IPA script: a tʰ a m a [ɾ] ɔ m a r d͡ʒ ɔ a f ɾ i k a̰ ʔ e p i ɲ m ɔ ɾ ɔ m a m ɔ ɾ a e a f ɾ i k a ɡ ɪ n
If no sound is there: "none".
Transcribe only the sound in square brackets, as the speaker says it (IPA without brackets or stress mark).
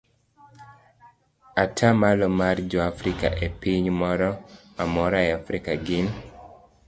l